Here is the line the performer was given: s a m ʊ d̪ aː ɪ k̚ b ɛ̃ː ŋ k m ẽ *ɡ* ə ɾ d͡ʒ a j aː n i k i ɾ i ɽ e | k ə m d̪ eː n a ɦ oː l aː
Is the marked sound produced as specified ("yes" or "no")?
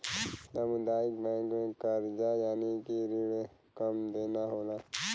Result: no